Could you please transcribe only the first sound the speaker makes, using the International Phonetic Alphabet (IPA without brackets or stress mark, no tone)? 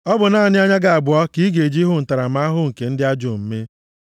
ɔ